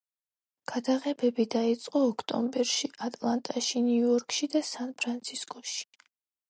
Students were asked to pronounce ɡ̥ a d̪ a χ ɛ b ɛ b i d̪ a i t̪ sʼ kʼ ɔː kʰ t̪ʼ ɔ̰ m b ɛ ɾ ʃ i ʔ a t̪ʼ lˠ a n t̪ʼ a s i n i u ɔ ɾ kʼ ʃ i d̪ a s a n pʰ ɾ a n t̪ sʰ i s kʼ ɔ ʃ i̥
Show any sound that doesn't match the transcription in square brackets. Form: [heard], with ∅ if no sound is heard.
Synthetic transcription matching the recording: ɡ̥ a d̪ a [ʁ] ɛ b ɛ b i d̪ a i t̪ sʼ [qʼ] ɔː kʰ t̪ʼ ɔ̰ m b ɛ ɾ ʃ i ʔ a t̪ʼ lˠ a n t̪ʼ a [ʃ] i n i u ɔ ɾ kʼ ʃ i d̪ a s a n pʰ ɾ a n t̪ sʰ i s kʼ ɔ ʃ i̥

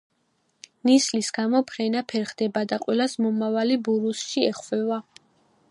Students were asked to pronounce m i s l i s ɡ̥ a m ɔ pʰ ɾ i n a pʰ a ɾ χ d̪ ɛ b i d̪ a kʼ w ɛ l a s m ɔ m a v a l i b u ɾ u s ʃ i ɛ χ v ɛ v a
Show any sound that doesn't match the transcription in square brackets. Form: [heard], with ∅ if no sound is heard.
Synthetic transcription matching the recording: [n] i s l i s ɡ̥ a m ɔ pʰ ɾ [ɛ] n a pʰ [ɛ] ɾ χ d̪ ɛ b [a] d̪ a [qʼ] w ɛ l a s m ɔ m a v a l i b u ɾ u s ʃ i ɛ χ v ɛ v a

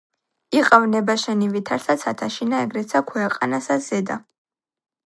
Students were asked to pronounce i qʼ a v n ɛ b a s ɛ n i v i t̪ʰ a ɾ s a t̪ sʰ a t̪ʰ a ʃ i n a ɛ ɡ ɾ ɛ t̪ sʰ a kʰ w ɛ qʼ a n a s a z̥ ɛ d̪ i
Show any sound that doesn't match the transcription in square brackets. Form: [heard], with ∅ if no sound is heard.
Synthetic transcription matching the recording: i qʼ a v n ɛ b a [ʃ] ɛ n i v i t̪ʰ a ɾ s a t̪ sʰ a t̪ʰ a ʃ i n a ɛ ɡ ɾ ɛ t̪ sʰ a kʰ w ɛ qʼ a n a s a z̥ ɛ d̪ [a]

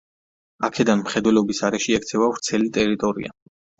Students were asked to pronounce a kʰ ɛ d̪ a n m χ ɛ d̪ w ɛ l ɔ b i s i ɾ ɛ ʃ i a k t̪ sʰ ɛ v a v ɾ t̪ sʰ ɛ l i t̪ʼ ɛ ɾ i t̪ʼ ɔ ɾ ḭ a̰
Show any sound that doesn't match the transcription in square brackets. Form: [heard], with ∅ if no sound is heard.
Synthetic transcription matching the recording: a kʰ ɛ d̪ a n m χ ɛ d̪ w ɛ l ɔ b i s [a] ɾ ɛ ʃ i [ɛ] k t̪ sʰ ɛ v a v ɾ t̪ sʰ ɛ l i t̪ʼ ɛ ɾ i t̪ʼ ɔ ɾ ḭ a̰

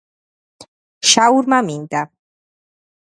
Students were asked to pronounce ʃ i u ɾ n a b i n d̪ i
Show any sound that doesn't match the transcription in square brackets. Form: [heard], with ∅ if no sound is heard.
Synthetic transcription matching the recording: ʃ [a] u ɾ [m] a [m] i n d̪ [a]

